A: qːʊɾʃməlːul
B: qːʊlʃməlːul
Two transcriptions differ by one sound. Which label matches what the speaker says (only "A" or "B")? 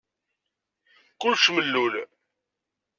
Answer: B